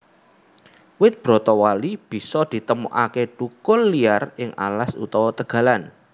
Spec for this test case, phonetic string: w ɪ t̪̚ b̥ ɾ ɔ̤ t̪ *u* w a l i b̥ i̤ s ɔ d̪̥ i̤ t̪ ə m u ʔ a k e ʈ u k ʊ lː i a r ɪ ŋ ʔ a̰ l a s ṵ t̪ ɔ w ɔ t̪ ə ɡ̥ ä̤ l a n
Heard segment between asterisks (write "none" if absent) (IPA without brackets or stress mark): ɔ